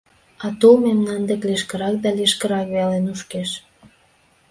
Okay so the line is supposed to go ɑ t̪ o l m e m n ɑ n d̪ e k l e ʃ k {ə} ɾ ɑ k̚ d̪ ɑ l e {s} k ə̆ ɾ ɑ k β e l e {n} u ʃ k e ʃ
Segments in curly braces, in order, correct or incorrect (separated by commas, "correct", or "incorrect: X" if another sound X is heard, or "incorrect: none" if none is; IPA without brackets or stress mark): correct, incorrect: ʃ, correct